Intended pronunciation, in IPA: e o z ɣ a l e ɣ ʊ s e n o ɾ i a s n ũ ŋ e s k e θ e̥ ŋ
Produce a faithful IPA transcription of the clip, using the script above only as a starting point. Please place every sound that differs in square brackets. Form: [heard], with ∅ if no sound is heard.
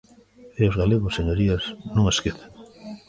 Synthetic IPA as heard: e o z ɣ a l e ɣ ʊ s e [ɲ] o ɾ i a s n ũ ŋ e s k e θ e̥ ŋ